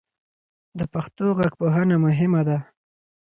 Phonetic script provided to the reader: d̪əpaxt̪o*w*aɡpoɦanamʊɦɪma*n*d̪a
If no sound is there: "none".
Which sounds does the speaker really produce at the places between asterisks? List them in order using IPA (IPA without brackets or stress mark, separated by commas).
ɣ, none